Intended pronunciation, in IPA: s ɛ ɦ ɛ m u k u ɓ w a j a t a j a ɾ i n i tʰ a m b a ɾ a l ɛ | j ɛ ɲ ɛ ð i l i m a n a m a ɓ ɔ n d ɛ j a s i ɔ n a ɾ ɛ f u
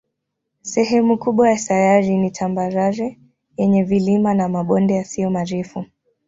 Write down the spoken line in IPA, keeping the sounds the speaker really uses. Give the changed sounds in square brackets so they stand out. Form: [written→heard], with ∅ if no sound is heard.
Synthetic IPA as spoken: s ɛ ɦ ɛ m u k u ɓ w a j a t a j a ɾ i n i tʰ a m b a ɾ a [l→ɾ] ɛ | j ɛ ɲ ɛ [ð→v] i l i m a n a m a ɓ ɔ n d ɛ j a s i ɔ [n→m] a ɾ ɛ f u